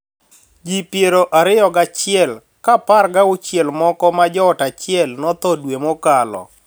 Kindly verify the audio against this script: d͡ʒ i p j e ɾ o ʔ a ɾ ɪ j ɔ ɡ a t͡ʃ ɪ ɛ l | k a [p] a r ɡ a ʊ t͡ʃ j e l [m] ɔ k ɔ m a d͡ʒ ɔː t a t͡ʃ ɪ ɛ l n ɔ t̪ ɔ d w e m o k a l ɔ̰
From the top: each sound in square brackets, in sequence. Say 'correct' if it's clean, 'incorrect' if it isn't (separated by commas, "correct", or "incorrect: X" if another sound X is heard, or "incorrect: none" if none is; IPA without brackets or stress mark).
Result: correct, correct